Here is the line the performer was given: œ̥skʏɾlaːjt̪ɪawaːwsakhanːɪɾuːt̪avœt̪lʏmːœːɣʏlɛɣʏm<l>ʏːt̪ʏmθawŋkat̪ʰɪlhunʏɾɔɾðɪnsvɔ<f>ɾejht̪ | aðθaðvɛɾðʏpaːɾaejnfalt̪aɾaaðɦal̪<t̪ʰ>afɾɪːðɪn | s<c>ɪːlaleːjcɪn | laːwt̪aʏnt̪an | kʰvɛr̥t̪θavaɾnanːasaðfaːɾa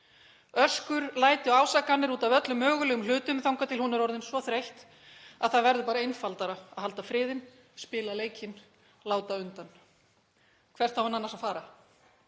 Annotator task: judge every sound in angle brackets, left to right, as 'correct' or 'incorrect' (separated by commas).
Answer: correct, incorrect, incorrect, incorrect